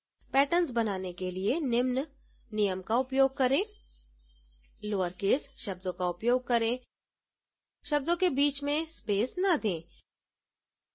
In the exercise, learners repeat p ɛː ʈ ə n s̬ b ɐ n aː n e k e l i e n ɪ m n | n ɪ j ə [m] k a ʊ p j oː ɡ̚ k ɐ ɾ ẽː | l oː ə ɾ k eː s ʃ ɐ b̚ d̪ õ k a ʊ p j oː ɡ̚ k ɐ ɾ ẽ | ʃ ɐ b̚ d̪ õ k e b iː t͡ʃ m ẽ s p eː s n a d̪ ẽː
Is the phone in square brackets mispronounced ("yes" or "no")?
no